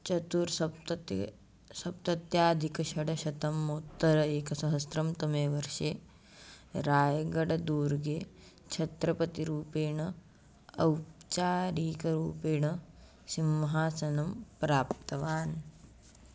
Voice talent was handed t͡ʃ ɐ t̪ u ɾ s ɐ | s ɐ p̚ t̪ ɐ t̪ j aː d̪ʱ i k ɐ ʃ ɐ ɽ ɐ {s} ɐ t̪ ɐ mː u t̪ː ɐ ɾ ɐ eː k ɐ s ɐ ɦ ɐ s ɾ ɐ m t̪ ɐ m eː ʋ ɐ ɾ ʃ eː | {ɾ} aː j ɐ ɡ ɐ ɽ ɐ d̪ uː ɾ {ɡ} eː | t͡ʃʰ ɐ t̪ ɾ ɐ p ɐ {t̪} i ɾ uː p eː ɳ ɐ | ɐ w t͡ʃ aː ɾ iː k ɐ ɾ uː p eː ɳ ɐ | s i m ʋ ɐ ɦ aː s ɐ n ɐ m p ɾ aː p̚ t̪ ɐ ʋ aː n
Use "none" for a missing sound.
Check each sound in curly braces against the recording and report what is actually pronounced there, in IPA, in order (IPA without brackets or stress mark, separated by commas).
ʃ, ɾ, ɡ, t̪